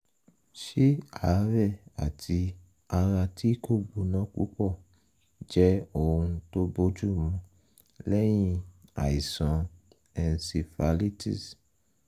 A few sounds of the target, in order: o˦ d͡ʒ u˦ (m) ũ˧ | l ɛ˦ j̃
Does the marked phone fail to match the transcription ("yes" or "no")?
no